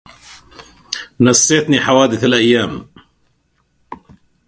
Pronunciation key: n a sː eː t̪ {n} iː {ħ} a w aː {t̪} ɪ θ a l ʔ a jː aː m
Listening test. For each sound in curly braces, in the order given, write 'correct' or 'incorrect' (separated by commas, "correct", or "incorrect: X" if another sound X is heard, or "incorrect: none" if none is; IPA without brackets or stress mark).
correct, correct, incorrect: d̪